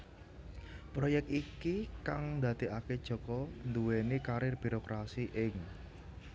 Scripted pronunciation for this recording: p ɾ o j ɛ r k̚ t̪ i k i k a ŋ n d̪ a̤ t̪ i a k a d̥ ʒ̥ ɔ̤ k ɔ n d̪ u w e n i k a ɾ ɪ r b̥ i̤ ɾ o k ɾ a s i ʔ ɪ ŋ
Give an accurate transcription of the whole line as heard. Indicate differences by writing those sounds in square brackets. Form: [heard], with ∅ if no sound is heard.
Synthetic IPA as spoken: p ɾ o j ɛ [∅] k̚ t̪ i k i k a ŋ n d̪ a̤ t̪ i a k [e] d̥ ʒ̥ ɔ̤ k ɔ n d̪ u w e n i k a ɾ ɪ r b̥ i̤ ɾ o k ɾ a s i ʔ ɪ ŋ